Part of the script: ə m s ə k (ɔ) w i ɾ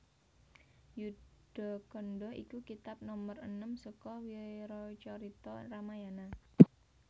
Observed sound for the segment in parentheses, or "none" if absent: ɔ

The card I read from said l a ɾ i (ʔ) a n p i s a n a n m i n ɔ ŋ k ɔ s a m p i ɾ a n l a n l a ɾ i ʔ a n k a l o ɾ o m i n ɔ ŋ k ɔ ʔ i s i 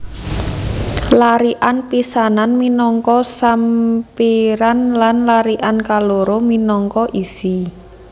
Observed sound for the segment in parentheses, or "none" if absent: ʔ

